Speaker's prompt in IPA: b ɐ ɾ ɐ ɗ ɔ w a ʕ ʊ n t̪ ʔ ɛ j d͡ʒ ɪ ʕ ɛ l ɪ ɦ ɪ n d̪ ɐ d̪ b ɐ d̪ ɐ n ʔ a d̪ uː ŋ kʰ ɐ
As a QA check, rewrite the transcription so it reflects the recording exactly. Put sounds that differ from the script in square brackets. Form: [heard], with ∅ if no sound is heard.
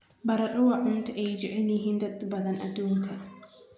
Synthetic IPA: b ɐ ɾ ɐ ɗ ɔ w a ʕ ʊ n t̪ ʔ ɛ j d͡ʒ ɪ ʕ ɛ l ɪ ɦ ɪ n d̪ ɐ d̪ b ɐ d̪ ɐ n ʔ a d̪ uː ŋ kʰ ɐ